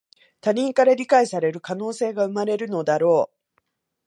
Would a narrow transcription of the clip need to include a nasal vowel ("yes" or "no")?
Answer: yes